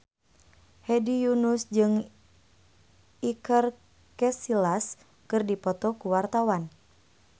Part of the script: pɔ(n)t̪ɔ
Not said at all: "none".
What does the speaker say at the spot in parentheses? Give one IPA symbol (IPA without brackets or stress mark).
none